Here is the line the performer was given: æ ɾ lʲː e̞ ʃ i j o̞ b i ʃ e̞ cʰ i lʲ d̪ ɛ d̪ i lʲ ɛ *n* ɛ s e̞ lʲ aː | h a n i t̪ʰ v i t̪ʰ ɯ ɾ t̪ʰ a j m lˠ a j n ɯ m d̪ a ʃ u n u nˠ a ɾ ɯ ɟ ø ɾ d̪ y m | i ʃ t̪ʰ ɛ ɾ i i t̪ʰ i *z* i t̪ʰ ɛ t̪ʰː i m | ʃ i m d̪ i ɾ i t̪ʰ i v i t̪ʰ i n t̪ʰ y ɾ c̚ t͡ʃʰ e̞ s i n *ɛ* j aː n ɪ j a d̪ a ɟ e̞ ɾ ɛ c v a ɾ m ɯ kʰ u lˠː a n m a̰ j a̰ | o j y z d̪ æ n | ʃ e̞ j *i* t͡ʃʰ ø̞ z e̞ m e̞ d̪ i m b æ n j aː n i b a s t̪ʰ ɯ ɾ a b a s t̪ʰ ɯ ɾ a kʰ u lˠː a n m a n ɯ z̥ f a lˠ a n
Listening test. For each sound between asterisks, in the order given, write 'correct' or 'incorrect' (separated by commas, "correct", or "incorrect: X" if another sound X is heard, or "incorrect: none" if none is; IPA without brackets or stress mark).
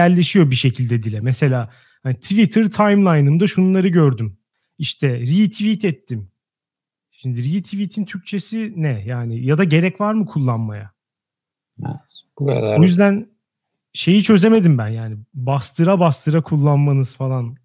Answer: incorrect: m, incorrect: v, correct, correct